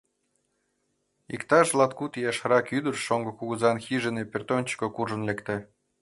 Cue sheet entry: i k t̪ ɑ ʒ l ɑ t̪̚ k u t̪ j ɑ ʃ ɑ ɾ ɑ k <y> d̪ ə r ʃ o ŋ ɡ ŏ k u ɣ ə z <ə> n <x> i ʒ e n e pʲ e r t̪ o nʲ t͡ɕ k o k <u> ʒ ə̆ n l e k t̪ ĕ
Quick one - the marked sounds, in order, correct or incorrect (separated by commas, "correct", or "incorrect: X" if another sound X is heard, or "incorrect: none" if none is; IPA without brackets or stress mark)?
correct, incorrect: ɑ, correct, correct